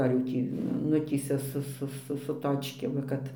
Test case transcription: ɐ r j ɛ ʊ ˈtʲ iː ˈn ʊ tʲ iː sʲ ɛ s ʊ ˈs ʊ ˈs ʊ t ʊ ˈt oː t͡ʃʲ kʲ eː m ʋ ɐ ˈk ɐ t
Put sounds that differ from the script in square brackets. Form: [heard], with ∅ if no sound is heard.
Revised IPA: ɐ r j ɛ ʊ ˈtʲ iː ˈn ʊ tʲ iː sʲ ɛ s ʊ ˈs ʊ ˈs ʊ [s] ʊ ˈt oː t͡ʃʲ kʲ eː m ʋ ɐ ˈk ɐ t

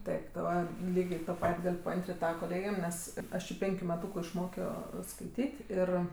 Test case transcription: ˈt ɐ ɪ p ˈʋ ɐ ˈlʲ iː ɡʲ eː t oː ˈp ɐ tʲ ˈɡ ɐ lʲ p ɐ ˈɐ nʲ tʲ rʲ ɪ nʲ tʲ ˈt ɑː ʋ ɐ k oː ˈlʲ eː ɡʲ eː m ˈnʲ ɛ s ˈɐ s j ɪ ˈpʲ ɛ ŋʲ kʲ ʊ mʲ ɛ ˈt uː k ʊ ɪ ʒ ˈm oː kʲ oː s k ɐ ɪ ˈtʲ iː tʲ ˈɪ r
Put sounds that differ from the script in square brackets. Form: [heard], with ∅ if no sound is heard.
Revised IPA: ˈt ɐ ɪ p ˈʋ ɐ ˈlʲ iː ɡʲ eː t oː ˈp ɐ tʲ ˈɡ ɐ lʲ p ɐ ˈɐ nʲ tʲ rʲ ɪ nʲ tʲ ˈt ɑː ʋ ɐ k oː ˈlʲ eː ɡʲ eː m ˈnʲ ɛ s ˈɐ [ʃ] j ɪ ˈpʲ ɛ ŋʲ kʲ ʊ mʲ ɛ ˈt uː k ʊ ɪ [ʃ] ˈm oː kʲ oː s k ɐ ɪ ˈtʲ iː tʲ ˈɪ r

